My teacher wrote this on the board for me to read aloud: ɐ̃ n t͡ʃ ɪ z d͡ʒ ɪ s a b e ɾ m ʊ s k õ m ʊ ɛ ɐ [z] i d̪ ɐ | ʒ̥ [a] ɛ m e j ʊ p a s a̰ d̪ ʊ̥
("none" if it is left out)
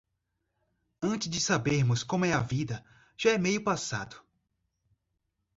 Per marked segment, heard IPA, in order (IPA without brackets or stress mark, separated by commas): v, a